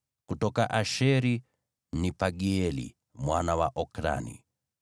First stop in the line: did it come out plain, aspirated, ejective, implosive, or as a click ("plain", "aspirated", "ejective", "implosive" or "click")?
plain